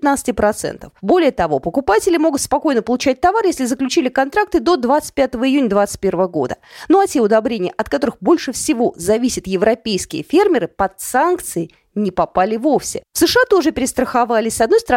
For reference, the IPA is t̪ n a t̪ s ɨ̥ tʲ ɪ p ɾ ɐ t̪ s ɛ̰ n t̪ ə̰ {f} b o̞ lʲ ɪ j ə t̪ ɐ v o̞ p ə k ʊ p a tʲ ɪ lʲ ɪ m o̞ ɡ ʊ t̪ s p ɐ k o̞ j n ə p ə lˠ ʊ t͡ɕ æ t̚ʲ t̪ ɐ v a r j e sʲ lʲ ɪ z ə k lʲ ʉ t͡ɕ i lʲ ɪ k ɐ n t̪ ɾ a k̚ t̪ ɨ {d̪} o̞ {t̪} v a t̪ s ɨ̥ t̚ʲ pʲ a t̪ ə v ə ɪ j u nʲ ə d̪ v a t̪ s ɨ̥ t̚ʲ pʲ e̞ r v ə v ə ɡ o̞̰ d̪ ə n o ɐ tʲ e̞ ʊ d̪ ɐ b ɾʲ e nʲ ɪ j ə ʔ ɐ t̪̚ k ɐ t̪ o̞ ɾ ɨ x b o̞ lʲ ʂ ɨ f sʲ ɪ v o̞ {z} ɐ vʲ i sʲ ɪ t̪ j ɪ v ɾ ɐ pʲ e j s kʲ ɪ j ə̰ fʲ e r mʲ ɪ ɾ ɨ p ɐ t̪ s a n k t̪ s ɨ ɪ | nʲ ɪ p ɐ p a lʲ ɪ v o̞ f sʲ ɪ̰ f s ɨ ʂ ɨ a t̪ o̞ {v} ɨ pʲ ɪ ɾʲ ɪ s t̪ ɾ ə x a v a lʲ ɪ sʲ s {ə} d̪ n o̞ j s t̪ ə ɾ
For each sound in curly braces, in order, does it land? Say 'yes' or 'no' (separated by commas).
yes, yes, no, yes, no, no